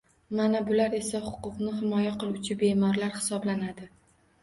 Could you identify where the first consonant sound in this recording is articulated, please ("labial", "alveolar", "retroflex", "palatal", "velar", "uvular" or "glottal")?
labial